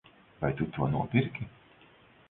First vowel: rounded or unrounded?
unrounded